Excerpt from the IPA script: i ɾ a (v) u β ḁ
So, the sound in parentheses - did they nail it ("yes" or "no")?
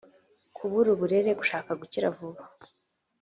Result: yes